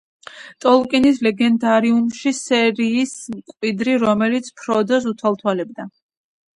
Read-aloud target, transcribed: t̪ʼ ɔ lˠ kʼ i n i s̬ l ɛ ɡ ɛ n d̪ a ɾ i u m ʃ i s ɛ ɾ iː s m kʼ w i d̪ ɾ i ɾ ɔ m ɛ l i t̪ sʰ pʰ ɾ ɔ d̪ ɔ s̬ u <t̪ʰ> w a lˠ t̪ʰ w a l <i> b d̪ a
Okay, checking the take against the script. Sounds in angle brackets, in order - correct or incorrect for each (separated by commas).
correct, incorrect